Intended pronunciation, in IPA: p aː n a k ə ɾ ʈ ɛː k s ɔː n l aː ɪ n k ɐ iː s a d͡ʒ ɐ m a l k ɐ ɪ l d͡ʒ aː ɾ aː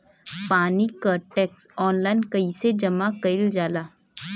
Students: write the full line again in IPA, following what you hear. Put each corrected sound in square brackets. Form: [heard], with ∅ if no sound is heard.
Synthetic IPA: p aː n [i] k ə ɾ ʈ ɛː k s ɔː n l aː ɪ n k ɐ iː s [e] d͡ʒ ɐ m a [∅] k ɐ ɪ l d͡ʒ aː [l] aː